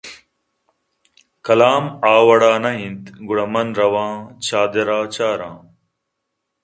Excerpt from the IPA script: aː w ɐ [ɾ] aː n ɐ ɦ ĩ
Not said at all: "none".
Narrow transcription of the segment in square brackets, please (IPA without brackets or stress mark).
ɽ